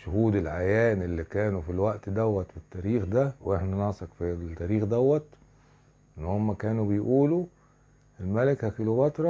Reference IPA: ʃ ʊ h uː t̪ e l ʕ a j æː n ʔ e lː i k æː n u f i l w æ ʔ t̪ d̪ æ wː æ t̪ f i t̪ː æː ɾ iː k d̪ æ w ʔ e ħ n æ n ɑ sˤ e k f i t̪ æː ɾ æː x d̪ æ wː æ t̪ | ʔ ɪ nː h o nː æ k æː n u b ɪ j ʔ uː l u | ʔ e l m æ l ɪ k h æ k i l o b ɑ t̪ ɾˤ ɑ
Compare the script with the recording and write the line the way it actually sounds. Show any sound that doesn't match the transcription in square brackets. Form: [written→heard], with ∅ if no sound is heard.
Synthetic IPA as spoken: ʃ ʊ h uː [t̪→d̪] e l ʕ a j æː n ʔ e lː i k æː n u f i l w æ ʔ t̪ d̪ æ wː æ t̪ f i t̪ː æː ɾ iː [k→x] d̪ æ w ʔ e ħ n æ n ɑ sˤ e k f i t̪ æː ɾ [æː→iː] x d̪ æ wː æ t̪ | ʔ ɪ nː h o [nː→mː] æ k æː n u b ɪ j ʔ uː l u | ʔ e l m æ l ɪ k h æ k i l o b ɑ t̪ ɾˤ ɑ